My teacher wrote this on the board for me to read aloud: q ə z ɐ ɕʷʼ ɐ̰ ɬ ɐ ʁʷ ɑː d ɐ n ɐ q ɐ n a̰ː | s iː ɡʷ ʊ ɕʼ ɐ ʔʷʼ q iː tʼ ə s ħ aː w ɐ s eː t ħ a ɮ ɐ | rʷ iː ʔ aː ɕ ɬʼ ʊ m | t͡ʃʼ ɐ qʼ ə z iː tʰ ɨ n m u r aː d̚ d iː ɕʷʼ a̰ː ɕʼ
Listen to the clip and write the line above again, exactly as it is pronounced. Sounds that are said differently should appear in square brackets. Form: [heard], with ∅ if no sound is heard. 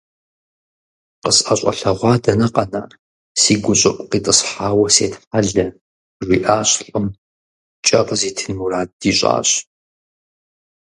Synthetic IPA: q ə [s] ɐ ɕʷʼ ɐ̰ ɬ ɐ ʁʷ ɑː d ɐ n ɐ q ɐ n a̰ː | s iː ɡʷ ʊ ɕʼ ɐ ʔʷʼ q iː tʼ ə s ħ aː w ɐ s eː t ħ a ɮ ɐ | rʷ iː ʔ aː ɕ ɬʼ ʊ m | t͡ʃʼ ɐ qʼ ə z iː tʰ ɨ n m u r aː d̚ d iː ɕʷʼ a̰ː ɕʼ